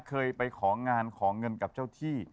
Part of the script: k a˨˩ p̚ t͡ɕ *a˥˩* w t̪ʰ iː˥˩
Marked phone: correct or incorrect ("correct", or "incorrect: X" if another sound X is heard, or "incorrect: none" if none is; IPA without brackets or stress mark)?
correct